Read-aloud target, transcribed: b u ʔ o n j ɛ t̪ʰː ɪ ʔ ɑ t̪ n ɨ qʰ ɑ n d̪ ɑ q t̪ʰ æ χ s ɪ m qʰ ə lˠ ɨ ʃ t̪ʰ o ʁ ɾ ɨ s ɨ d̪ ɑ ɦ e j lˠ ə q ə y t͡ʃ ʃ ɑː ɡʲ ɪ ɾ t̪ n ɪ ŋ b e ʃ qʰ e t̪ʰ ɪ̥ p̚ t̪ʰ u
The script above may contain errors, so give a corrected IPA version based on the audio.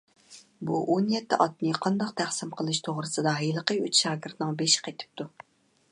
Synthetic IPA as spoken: b u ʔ o n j ɛ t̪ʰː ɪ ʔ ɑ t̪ n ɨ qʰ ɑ n d̪ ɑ q t̪ʰ æ χ s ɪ m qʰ ə lˠ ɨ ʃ t̪ʰ o ʁ ɾ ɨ s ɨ d̪ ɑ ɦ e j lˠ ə q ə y t͡ʃ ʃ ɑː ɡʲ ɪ ɾ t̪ n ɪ ŋ b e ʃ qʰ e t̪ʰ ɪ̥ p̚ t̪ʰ u